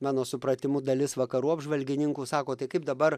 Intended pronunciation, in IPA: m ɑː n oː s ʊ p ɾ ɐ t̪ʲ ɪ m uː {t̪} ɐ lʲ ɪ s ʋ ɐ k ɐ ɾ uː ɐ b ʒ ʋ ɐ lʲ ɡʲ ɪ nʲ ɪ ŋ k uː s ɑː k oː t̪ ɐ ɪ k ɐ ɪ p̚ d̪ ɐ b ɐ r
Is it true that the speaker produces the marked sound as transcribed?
no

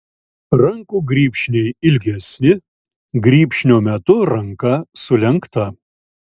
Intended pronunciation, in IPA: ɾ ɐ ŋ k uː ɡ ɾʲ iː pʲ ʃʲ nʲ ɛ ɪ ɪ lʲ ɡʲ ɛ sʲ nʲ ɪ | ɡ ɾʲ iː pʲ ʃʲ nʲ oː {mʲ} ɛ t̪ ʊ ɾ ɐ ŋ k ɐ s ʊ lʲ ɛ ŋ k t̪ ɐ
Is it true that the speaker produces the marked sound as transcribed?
yes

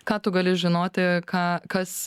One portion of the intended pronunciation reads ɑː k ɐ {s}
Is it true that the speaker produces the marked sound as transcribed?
yes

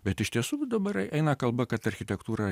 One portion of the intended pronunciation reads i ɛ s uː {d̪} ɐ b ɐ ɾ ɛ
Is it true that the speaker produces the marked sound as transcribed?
yes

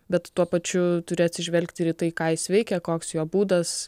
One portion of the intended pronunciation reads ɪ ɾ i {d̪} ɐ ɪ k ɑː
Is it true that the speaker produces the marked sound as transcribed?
no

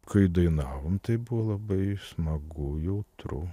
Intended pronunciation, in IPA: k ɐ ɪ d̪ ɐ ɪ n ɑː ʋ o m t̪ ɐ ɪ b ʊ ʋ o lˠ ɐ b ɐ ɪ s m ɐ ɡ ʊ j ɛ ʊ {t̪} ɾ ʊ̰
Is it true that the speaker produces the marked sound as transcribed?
yes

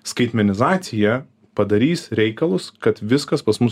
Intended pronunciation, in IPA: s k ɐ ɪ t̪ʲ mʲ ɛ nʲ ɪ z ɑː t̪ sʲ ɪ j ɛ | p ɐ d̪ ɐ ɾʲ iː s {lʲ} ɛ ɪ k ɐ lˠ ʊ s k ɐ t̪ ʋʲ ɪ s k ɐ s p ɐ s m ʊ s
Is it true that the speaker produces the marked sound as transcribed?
no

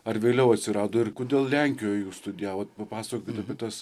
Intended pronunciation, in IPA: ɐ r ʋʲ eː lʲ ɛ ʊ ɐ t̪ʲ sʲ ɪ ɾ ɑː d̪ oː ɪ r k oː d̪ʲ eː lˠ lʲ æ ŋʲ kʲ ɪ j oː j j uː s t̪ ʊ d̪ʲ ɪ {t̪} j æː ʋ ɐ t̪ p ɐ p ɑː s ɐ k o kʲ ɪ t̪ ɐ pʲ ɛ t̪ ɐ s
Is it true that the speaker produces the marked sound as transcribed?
no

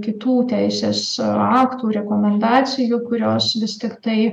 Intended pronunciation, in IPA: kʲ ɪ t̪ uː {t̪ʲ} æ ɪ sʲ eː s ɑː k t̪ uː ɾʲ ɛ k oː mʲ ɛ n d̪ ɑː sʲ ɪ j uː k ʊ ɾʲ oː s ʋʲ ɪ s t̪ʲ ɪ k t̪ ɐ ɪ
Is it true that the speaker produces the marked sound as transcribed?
yes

